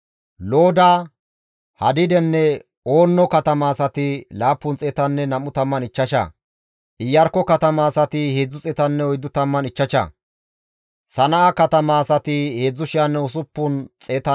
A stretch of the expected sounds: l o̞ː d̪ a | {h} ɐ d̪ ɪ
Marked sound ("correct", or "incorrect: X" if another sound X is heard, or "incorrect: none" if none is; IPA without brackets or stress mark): correct